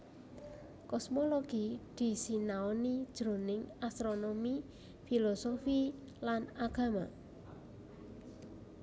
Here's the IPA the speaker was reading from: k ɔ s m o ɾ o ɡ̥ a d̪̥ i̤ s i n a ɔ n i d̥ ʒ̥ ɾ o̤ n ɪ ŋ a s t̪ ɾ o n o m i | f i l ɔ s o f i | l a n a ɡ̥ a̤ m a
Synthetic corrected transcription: k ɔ s m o l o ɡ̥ i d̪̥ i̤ s i n a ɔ n i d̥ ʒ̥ ɾ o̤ n ɪ ŋ a s t̪ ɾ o n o m i | f i l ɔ s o f i | l a n a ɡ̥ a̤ m a